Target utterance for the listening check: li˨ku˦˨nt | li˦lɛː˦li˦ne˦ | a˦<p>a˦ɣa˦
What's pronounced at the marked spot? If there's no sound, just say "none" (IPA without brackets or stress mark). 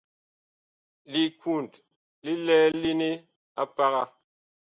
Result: p